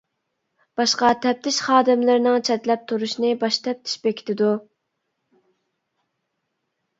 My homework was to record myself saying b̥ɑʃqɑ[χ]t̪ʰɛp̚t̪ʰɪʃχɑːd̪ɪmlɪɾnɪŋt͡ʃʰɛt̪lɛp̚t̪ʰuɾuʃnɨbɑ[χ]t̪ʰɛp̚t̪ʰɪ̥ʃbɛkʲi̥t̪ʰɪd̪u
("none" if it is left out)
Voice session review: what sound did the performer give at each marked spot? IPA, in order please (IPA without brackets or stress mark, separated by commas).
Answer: none, ʃ